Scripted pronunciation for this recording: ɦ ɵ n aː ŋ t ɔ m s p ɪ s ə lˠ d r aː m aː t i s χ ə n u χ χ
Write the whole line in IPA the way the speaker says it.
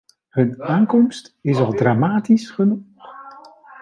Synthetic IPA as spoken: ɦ ɵ n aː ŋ k ɔ m s t ɪ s ɑ lˠ d r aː m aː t i s χ ə n u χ χ